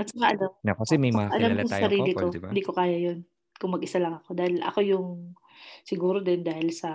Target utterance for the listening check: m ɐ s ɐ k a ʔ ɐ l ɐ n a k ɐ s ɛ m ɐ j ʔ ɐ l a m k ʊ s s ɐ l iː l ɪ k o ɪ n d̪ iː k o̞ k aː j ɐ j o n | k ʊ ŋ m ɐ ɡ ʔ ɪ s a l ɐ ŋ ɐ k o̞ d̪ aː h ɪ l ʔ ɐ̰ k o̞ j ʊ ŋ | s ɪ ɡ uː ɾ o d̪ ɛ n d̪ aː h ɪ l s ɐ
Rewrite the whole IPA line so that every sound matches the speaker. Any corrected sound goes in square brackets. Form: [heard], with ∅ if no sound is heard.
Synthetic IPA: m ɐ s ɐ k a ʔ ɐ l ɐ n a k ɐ s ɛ m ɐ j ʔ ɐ l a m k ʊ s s ɐ [ɾ] iː l ɪ k o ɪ n d̪ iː k o̞ k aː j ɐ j o n | k ʊ ŋ m ɐ ɡ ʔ ɪ s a l ɐ ŋ ɐ k o̞ d̪ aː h ɪ l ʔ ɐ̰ k o̞ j ʊ ŋ | s ɪ ɡ uː ɾ o d̪ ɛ n d̪ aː h ɪ l s ɐ